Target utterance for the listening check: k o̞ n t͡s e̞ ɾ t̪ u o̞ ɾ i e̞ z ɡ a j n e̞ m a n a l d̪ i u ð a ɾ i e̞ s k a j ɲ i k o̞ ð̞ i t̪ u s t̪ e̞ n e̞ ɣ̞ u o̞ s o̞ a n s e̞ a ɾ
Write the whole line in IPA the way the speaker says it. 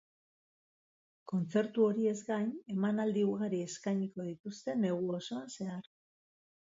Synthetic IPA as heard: k o̞ n t͡s e̞ ɾ t̪ u o̞ ɾ i e̞ z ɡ a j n e̞ m a n a l d̪ i u ɣ a ɾ i e̞ s k a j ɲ i k o̞ ð̞ i t̪ u s t̪ e̞ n e̞ ɣ̞ u o̞ s o̞ a n s e̞ a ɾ